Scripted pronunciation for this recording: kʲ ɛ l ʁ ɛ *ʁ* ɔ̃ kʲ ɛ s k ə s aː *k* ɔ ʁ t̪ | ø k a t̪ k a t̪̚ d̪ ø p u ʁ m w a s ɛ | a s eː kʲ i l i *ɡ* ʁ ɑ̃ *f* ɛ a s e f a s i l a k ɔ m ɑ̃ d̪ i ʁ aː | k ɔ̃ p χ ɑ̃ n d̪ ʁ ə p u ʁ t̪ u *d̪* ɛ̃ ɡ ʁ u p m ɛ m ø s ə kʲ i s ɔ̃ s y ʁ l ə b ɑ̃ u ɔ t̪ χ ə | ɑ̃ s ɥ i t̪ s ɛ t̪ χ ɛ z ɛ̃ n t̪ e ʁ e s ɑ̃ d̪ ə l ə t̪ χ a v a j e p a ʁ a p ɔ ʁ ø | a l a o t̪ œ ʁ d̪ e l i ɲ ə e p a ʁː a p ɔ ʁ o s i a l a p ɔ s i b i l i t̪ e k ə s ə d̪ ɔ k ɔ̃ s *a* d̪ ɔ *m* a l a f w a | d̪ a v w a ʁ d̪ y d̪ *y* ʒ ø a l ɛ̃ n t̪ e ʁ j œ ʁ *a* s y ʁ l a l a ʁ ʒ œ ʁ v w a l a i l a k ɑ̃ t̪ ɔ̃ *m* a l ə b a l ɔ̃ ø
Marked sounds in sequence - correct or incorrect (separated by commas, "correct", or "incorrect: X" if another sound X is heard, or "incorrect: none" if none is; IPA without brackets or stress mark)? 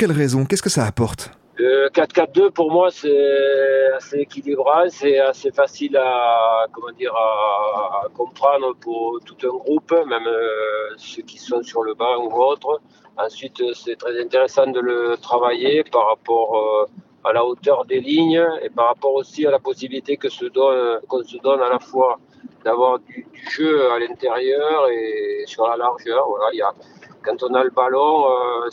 incorrect: z, incorrect: p, incorrect: b, incorrect: s, incorrect: t̪, incorrect: ə, incorrect: n, correct, incorrect: e, incorrect: n